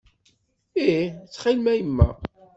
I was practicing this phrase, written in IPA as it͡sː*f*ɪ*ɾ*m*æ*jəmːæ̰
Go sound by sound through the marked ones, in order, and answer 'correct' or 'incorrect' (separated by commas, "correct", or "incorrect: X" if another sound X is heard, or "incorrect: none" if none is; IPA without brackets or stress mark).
incorrect: χ, incorrect: l, correct